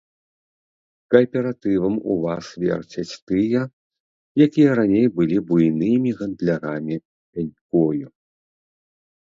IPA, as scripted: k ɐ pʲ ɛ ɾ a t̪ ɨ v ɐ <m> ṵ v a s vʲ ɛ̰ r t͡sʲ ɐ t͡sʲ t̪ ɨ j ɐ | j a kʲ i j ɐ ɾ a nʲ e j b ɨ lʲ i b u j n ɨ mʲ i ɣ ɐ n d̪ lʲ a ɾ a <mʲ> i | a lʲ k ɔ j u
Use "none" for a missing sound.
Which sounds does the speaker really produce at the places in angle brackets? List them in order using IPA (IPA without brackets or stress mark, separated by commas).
m, mʲ